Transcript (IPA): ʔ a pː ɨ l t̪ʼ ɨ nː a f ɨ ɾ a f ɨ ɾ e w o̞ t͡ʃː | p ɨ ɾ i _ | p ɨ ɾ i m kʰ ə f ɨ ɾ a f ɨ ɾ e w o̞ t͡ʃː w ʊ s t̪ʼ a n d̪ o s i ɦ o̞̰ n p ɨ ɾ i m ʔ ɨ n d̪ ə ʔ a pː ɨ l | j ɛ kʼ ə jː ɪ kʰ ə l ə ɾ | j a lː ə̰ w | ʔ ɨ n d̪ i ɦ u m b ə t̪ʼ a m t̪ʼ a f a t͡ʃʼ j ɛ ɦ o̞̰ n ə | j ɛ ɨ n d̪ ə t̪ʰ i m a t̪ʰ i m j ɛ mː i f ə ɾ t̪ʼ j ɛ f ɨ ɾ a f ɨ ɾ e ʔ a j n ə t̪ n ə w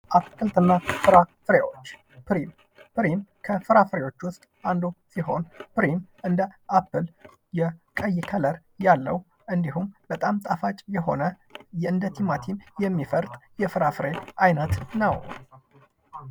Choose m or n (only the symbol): m